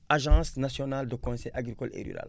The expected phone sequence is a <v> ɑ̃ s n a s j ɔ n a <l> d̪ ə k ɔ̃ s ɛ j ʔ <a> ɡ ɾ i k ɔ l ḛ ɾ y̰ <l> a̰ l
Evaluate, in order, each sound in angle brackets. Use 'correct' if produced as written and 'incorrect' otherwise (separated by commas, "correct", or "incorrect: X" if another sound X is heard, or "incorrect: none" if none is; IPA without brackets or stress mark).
incorrect: ʒ, correct, correct, incorrect: ɾ